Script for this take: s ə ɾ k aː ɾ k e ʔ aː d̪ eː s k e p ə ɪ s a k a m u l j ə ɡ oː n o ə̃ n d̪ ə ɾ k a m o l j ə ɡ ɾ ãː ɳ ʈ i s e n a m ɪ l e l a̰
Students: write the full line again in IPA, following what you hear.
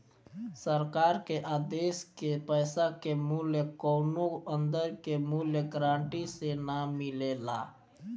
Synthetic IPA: s ə ɾ k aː ɾ k e ʔ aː d̪ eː s k e p ə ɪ s a k e m u l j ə k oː n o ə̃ n d̪ ə ɾ k e m u l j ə ɡ ɾ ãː ɳ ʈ i s e n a m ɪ l e l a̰